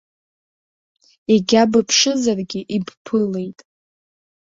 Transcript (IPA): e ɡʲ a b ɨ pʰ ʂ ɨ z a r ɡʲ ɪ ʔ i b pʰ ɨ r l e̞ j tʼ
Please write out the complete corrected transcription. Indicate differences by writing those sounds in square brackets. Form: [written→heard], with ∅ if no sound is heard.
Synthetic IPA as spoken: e ɡʲ a b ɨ pʰ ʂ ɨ z a r ɡʲ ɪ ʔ i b pʰ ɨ [r→∅] l e̞ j tʼ